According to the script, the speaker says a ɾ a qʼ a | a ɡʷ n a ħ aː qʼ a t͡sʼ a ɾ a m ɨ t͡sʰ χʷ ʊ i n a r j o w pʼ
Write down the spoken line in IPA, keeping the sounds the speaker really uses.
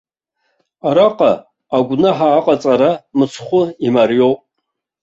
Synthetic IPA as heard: a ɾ a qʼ a | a ɡʷ n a ħ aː qʼ a t͡sʼ a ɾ a m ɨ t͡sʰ χʷ ʊ i m a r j o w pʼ